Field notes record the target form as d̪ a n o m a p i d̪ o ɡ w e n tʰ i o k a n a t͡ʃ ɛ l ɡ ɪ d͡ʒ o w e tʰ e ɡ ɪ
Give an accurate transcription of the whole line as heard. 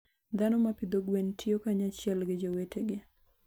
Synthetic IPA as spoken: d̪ a n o m a p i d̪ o ɡ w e n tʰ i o k a ɲ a t͡ʃ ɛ l ɡ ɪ d͡ʒ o w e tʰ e ɡ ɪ

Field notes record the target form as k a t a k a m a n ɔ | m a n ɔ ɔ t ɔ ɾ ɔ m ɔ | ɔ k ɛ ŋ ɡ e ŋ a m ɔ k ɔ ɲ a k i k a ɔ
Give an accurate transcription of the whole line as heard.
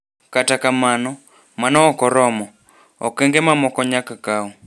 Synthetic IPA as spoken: k a t a k a m a n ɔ | m a n ɔ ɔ k ɔ ɾ ɔ m ɔ | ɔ k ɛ ŋ ɡ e m a m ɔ k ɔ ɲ a k a k a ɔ

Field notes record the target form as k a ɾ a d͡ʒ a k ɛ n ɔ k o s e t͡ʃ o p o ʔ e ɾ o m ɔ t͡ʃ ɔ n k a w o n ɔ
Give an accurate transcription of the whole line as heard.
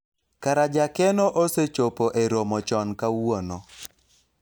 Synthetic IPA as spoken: k a ɾ a d͡ʒ a k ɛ n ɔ ʔ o s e t͡ʃ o p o ʔ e ɾ o m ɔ t͡ʃ ɔ n k a w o n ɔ

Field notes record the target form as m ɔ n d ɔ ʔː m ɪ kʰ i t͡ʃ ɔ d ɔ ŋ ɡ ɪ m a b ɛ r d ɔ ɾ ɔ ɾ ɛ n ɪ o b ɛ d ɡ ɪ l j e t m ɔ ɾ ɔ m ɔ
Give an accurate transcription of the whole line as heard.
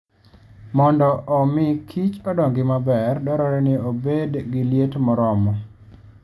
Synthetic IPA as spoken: m ɔ n d ɔ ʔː m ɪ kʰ i t͡ʃ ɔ d ɔ ŋ ɡ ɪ m a b ɛ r d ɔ ɾ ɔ ɾ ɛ n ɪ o b e d ɡ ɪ l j e t m ɔ ɾ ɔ m ɔ

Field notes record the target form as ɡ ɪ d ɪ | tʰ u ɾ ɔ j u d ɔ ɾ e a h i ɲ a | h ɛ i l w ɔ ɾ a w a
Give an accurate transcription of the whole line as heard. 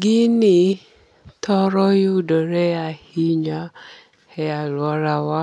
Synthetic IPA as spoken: ɡ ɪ n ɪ | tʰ ɔ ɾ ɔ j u d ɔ ɾ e a h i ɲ a | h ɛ a l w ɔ ɾ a w a

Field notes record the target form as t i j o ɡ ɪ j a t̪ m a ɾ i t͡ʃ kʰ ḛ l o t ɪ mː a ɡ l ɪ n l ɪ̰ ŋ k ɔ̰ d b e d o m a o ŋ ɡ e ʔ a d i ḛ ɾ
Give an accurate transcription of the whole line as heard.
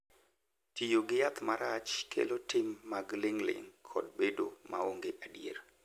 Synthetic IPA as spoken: t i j o ɡ ɪ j a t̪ m a ɾ a t͡ʃ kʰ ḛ l o t ɪ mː a ɡ l ɪ ŋ l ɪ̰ ŋ kʰ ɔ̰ d b e d o m a o ŋ ɡ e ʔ a d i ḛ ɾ

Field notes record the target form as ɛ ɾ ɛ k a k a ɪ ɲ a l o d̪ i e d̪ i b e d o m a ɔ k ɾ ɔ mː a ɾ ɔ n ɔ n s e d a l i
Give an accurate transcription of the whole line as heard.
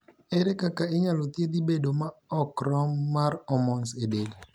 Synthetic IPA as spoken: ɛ ɾ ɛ k a k a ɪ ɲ a l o t̪ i e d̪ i b e d o m a ɔ k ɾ ɔ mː a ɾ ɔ m ɔ n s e d e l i

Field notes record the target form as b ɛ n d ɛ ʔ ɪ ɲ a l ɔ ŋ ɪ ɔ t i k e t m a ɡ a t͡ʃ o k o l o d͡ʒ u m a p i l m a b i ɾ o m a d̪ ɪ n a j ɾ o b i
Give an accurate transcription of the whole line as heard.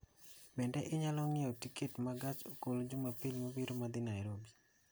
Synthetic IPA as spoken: b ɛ n d ɛ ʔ ɪ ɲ a l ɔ ŋ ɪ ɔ t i k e t m a ɡ a t͡ʃ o k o l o d͡ʒ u m a p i l m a b i ɾ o m a d̪ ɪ n a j ɾ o b i

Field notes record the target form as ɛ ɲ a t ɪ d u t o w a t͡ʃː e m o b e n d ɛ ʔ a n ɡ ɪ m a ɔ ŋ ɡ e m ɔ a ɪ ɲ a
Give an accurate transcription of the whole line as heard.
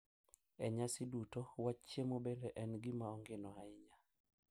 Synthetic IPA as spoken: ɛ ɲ a s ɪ d u t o w a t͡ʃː e m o b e n d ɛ ʔ ɛ n ɡ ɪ m a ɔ ŋ ɡ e n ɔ a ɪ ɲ a

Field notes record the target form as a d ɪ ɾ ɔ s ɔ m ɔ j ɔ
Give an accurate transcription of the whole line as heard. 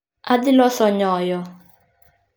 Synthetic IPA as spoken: a d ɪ l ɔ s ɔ ɲ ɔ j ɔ

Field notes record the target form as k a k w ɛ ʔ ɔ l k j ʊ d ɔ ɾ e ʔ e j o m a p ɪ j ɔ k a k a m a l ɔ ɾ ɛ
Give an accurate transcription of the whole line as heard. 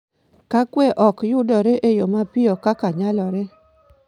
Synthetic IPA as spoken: k a k w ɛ ʔ ɔ k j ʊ d ɔ ɾ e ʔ e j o m a p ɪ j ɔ k a k a ɲ a l ɔ ɾ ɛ

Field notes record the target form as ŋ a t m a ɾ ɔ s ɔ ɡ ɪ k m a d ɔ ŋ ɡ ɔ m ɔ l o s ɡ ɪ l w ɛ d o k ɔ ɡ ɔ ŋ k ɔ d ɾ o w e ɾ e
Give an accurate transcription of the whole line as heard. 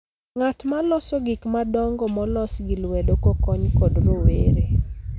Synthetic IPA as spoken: ŋ a t m a l ɔ s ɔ ɡ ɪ k m a d ɔ ŋ ɡ ɔ m ɔ l ɔ s ɡ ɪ l w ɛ d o k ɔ k ɔ ɲ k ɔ d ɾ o w e ɾ e

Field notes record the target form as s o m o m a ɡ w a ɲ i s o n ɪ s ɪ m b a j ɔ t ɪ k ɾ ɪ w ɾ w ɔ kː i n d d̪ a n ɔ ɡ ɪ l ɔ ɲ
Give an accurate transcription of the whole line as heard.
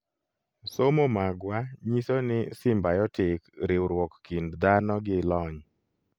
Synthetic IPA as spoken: s o m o m a ɡ w a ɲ i s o n ɪ s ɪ m b a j ɔ t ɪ k ɾ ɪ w ɾ w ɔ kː i n d d̪ a n ɔ ɡ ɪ l ɔ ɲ

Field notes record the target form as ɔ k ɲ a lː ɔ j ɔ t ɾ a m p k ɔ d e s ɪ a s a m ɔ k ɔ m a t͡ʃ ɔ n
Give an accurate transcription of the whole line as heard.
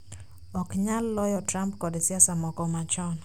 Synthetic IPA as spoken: ɔ k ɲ a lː ɔ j ɔ t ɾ a m p k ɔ d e s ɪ a s a m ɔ k ɔ m a t͡ʃ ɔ n

